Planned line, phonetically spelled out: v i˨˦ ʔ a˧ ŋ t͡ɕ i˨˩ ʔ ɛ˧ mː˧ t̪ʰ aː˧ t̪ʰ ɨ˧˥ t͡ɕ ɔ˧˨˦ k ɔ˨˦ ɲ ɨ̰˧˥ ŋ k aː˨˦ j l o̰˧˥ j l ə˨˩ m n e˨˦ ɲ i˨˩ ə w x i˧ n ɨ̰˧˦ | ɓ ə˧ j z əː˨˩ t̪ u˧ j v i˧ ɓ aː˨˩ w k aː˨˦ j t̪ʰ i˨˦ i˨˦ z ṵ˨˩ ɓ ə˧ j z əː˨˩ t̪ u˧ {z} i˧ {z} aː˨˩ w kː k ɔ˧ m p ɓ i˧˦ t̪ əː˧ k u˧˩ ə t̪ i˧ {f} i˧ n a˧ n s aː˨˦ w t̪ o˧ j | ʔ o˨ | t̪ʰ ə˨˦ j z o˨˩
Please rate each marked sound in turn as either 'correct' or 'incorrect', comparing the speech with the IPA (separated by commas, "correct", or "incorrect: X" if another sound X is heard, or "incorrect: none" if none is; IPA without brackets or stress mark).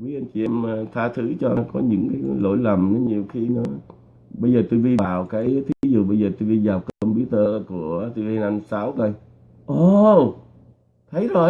incorrect: v, correct, incorrect: v